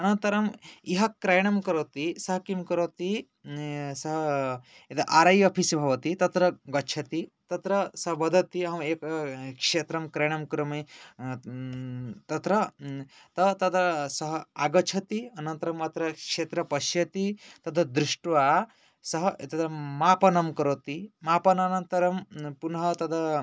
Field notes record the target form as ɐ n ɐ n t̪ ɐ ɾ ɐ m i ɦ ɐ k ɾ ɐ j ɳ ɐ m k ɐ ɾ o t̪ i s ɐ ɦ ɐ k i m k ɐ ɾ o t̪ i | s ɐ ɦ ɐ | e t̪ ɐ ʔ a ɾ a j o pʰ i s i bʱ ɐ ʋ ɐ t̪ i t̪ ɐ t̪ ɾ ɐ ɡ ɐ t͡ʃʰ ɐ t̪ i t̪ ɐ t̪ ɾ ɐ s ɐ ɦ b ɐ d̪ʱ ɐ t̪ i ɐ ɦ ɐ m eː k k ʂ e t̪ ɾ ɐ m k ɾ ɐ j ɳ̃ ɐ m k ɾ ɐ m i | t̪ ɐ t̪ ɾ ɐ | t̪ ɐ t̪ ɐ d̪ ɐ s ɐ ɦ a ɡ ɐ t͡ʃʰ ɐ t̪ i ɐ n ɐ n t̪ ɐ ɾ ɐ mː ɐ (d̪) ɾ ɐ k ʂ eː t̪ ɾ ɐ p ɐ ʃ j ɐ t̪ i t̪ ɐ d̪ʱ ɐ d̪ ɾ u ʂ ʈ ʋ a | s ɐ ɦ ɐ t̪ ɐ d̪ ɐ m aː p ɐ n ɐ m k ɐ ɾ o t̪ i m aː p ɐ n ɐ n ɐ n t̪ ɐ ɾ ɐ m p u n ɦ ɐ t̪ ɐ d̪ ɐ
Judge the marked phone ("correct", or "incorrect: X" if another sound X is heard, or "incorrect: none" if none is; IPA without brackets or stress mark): incorrect: t̪